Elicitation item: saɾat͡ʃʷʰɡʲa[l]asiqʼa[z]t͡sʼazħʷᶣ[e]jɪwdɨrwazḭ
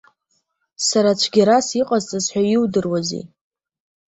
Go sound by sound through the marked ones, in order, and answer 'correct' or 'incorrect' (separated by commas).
incorrect, correct, incorrect